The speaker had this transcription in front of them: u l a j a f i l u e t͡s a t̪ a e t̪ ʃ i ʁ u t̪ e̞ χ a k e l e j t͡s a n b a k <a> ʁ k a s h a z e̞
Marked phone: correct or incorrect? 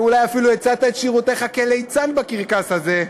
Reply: incorrect